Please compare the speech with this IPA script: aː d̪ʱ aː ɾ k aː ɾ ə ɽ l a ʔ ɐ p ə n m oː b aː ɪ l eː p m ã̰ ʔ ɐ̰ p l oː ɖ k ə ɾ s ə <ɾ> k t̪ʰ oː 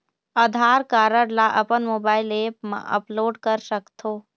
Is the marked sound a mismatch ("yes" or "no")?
yes